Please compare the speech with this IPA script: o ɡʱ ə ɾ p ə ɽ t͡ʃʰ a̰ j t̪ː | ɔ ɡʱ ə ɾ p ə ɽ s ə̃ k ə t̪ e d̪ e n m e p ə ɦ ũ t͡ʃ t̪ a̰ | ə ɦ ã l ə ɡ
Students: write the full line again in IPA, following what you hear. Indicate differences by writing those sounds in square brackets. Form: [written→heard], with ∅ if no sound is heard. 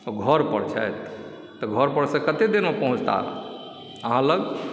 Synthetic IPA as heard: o ɡʱ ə ɾ p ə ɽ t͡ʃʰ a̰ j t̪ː | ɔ ɡʱ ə ɾ p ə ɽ s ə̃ k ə t̪ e d̪ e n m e p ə ɦ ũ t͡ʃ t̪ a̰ | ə ɦ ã l ə ɡ